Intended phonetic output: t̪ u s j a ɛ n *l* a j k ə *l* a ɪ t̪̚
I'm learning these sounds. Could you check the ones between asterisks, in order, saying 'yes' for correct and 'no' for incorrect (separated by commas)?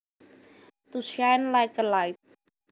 yes, yes